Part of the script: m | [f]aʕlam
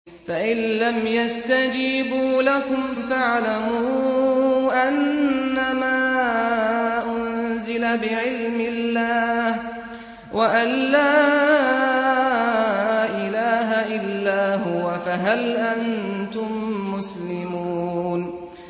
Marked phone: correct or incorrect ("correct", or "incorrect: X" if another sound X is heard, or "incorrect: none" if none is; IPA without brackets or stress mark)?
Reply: correct